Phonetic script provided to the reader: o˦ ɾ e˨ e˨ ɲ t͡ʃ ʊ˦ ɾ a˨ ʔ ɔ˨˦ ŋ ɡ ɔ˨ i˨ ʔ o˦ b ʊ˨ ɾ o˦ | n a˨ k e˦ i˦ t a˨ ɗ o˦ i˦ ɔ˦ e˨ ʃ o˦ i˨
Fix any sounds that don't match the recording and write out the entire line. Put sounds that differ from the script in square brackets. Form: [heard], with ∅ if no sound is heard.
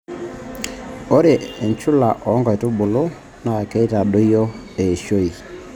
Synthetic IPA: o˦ ɾ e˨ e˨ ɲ t͡ʃ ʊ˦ [l] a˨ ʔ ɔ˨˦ ŋ ɡ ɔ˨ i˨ [t] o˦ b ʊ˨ [l] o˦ | n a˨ k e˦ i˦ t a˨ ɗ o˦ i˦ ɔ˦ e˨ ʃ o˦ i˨